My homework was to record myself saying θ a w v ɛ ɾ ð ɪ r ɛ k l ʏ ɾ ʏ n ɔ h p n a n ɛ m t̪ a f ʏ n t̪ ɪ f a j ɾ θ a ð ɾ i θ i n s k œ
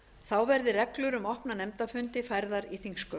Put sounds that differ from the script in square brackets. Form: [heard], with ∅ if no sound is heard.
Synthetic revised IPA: θ a w v ɛ ɾ ð ɪ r ɛ k l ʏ ɾ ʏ [m] ɔ h p n a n ɛ m t̪ a f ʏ n t̪ ɪ f a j ɾ [ð] a [∅] ɾ i θ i [ŋ] s k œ